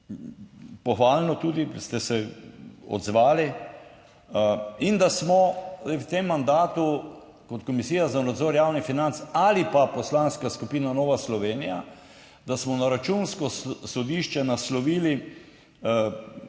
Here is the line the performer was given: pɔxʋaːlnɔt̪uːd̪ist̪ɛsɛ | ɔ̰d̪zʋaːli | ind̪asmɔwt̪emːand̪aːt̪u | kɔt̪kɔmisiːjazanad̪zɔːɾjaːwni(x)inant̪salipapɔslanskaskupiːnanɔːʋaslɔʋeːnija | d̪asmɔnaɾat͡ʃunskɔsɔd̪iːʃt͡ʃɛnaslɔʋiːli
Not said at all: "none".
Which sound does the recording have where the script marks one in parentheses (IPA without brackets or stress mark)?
f